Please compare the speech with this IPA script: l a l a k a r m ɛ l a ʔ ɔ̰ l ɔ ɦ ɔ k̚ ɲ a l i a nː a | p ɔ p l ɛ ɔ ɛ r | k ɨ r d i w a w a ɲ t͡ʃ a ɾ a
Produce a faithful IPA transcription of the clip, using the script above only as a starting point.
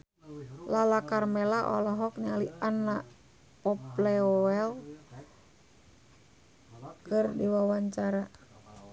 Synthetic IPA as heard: l a l a k a r m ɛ l a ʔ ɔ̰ l ɔ ɦ ɔ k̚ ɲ a l i a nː a | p ɔ p l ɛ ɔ ɛ l | k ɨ r d i w a w a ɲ t͡ʃ a ɾ a